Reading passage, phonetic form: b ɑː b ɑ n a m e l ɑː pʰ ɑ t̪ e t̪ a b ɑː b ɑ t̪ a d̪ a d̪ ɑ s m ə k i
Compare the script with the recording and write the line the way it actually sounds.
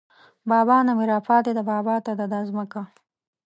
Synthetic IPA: b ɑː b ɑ n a m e ɾ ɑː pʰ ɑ t̪ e d̪ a b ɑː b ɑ t̪ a d̪ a d̪ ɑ z m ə k a